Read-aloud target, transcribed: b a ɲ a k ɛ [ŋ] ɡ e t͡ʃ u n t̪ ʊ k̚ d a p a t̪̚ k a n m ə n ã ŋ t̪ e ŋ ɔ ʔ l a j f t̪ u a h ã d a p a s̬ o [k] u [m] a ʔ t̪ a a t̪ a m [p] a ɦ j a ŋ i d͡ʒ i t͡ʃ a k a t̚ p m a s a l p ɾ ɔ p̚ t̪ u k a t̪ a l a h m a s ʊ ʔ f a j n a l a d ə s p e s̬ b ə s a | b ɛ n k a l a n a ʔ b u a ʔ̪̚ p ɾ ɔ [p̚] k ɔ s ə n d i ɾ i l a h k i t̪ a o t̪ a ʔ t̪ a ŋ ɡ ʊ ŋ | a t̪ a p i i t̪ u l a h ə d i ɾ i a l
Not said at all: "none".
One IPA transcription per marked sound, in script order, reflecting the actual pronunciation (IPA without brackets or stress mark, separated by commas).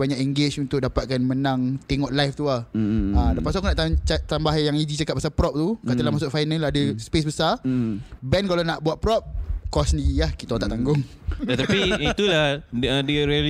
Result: ŋ, k, n, b, p̚